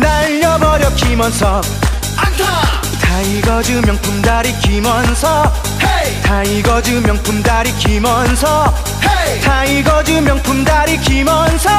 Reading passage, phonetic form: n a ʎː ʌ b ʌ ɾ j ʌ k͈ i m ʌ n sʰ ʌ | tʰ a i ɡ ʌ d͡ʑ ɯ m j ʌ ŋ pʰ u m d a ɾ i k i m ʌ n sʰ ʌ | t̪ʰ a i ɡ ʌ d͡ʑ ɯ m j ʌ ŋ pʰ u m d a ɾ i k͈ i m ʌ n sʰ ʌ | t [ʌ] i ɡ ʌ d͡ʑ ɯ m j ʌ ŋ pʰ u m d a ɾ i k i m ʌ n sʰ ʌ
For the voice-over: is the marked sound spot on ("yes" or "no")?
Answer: no